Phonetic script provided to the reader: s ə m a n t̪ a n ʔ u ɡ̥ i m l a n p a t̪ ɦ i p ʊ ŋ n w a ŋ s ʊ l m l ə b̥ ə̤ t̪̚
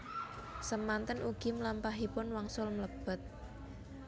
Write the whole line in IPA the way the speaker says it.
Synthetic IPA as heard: s ə m a n t̪ ə n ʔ u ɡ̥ i m l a m p a ɦ i p ʊ n w a ŋ s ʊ l m l ə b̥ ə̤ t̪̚